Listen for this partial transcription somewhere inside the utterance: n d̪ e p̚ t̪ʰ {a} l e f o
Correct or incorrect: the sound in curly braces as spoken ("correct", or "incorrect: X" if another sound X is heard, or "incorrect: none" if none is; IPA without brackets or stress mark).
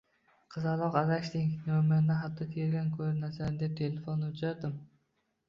incorrect: e